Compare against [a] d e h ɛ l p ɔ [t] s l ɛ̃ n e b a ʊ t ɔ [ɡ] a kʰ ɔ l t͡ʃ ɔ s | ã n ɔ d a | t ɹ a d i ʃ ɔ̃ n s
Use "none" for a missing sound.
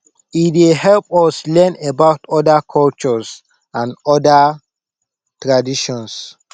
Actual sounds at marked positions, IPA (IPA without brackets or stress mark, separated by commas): i, none, d